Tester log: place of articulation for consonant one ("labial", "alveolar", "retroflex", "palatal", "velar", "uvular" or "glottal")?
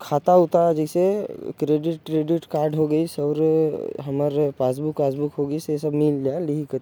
velar